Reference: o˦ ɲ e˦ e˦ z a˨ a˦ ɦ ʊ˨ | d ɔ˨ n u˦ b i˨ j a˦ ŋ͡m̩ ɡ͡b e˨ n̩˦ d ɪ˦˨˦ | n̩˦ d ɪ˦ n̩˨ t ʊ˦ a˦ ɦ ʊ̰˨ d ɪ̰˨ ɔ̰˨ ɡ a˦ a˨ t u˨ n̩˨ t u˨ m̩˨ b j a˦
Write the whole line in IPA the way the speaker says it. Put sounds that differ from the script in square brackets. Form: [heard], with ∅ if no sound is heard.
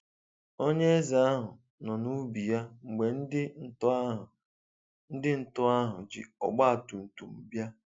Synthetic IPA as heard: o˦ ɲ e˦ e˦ z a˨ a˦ ɦ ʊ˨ | [n] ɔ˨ n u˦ b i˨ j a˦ ŋ͡m̩ ɡ͡b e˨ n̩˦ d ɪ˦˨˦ | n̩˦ d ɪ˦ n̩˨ t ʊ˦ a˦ ɦ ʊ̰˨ [d͡ʒ] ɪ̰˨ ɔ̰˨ [ɡ͡b] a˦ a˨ t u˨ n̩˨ t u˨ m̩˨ b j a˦